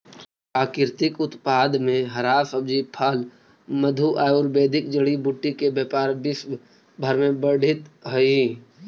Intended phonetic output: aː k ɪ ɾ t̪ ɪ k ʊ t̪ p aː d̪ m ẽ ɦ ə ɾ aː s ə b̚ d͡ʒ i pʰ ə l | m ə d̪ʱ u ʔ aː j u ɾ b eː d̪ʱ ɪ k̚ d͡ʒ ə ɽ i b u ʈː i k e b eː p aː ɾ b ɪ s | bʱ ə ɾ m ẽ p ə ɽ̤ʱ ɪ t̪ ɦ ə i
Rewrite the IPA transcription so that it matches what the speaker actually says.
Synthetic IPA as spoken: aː k ɪ ɾ t̪ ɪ k ʊ t̪ p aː d̪ m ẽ ɦ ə ɾ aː s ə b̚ d͡ʒ i pʰ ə l | m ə d̪ʱ u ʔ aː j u ɾ b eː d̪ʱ ɪ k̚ d͡ʒ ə ɽ i b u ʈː i k e b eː p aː ɾ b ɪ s | bʱ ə ɾ m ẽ b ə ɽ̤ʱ ɪ t̪ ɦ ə i